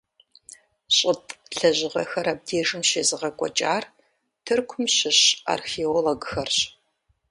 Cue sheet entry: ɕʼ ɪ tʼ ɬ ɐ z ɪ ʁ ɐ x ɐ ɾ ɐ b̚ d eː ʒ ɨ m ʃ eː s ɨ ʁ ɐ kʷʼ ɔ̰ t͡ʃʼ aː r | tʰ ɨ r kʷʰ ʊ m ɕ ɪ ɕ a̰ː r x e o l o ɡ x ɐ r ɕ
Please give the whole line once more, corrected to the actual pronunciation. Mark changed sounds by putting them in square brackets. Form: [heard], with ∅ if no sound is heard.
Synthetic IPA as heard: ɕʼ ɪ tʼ ɬ ɐ [ʑ] ɪ ʁ ɐ x ɐ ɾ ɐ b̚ d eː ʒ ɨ m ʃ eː [z] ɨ ʁ ɐ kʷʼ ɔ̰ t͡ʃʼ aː r | tʰ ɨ r kʷʰ ʊ m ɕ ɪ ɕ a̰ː r x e o l o ɡ x ɐ r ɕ